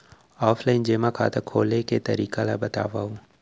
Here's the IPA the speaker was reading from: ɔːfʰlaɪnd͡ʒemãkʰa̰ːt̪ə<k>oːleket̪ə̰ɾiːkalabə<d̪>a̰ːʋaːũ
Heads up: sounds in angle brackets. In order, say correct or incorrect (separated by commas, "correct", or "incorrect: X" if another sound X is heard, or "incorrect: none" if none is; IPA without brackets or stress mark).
incorrect: kʰ, incorrect: t̪